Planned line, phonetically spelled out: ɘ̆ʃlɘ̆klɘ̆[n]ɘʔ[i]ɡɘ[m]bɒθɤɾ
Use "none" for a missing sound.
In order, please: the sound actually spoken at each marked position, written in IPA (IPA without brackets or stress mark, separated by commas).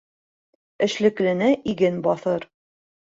n, i, n